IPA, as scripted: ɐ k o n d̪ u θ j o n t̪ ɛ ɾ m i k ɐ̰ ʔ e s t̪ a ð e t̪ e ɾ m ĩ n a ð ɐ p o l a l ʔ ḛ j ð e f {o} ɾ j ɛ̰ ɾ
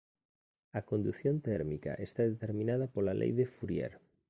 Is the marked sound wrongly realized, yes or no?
yes